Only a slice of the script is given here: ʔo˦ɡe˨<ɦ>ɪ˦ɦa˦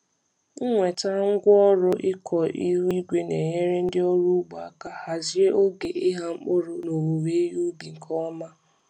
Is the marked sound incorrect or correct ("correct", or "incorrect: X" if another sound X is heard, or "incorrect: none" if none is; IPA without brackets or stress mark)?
incorrect: none